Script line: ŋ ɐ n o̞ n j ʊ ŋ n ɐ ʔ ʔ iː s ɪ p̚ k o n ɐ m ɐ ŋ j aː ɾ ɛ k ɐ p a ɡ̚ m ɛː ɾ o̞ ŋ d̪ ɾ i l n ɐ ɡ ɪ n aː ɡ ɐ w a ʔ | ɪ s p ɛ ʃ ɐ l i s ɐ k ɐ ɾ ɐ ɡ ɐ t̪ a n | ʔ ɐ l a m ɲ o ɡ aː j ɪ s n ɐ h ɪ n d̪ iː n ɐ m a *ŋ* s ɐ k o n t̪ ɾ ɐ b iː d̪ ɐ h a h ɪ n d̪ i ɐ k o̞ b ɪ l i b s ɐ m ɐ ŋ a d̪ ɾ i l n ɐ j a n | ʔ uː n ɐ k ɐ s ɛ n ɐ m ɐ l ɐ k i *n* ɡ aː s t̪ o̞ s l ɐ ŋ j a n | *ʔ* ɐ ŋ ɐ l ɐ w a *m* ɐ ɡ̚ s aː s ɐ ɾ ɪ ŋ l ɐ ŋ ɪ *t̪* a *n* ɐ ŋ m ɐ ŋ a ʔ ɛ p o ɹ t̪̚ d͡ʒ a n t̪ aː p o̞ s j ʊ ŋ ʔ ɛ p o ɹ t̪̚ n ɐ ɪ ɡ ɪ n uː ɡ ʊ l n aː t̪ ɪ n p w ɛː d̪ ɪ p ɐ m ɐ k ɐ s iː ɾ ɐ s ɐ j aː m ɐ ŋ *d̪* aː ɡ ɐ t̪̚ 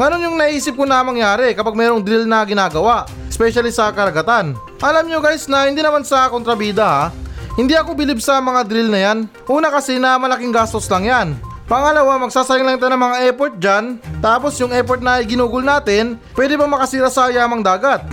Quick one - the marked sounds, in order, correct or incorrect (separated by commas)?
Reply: incorrect, incorrect, incorrect, correct, correct, correct, correct